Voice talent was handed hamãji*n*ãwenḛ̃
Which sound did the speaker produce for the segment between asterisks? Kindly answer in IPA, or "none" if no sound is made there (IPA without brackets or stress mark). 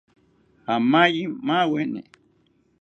m